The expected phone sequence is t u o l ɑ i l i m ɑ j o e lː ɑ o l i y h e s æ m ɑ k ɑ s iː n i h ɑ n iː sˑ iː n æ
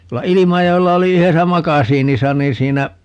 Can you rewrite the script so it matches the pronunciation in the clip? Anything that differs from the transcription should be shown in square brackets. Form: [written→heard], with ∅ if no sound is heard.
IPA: t u o [l→lː] ɑ i l i m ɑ j o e lː ɑ o l i y h e s æ m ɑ k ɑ s iː n i [h→s] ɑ n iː sˑ iː n æ